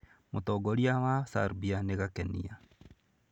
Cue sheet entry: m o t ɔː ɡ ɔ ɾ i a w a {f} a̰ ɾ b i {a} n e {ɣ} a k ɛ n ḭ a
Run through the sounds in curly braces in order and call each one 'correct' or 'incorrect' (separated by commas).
incorrect, correct, correct